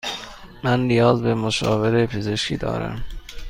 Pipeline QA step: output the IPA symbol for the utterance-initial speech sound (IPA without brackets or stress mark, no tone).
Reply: m